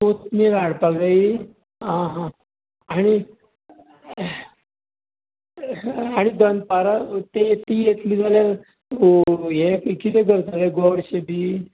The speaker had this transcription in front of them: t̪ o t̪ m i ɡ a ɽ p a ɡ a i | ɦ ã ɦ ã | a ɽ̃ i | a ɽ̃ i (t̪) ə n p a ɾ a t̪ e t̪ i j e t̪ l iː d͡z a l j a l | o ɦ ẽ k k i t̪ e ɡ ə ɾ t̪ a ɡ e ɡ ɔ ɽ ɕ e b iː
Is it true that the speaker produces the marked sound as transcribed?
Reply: no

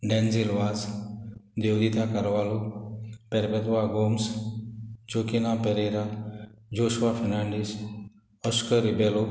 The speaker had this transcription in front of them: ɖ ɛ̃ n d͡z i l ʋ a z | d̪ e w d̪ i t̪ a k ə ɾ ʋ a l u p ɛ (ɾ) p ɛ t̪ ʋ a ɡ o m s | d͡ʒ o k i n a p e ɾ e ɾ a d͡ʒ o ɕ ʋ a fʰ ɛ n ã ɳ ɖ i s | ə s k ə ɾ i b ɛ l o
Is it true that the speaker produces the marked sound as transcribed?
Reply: yes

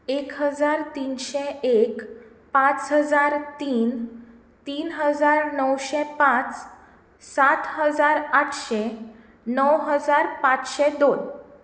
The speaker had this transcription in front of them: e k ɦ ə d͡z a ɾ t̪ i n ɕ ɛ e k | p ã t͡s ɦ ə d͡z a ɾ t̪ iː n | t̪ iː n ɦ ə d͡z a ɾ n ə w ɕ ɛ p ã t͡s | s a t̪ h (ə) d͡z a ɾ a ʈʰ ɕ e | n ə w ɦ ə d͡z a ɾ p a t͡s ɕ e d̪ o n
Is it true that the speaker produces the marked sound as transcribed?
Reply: yes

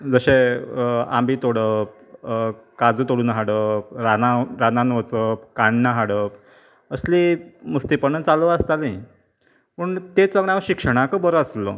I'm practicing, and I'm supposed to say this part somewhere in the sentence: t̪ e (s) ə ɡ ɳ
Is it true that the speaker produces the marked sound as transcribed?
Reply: no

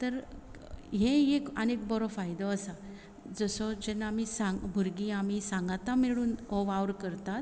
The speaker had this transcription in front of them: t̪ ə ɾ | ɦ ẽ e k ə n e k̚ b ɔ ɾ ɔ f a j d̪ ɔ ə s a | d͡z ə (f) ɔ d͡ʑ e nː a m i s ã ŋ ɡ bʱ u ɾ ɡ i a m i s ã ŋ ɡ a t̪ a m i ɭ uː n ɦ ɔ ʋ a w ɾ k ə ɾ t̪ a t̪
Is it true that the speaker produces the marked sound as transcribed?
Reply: no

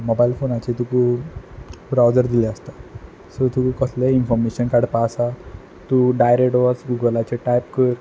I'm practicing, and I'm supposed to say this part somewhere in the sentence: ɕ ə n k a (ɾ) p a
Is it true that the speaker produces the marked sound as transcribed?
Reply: no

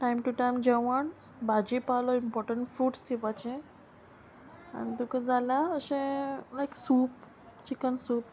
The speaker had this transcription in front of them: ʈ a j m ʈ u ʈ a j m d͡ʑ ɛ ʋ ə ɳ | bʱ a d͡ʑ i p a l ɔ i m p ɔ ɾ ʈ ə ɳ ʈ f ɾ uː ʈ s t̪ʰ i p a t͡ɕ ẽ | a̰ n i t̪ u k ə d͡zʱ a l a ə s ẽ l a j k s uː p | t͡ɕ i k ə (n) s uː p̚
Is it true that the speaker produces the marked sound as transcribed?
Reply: yes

